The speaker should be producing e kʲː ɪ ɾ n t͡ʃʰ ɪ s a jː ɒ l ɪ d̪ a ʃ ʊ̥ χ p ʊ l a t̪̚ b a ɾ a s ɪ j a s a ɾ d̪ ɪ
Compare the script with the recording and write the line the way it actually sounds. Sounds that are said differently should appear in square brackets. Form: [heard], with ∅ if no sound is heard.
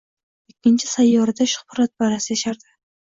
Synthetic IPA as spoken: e kʲː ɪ [∅] n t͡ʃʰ ɪ s a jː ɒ [ɾ] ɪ d̪ a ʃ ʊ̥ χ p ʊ [ɾ] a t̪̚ b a ɾ a s ɪ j a [ʃ] a ɾ d̪ ɪ